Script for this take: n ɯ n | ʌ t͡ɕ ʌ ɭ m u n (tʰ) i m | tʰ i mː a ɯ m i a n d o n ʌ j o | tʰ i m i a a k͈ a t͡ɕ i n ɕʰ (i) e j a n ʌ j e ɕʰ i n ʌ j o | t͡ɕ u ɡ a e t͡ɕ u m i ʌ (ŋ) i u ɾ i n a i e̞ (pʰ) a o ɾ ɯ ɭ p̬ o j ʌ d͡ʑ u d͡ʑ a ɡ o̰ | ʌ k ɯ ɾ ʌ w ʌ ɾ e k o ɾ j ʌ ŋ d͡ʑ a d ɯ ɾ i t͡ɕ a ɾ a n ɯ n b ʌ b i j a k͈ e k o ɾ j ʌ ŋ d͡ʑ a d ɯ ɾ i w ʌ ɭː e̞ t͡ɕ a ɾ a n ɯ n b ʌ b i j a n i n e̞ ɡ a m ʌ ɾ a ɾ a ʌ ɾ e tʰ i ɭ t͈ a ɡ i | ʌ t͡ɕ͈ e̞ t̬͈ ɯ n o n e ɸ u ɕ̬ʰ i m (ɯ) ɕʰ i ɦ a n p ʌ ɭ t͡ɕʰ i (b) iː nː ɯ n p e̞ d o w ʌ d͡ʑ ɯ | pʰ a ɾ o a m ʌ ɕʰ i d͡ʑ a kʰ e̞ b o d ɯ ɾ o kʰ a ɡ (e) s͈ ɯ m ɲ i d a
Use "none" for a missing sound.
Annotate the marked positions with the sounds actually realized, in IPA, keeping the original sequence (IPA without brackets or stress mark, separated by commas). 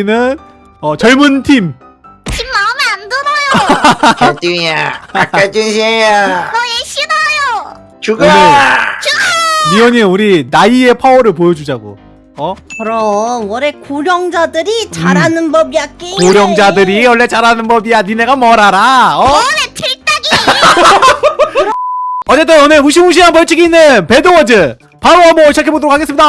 tʰ, i, ɲ, pʰ, u, ɡ, e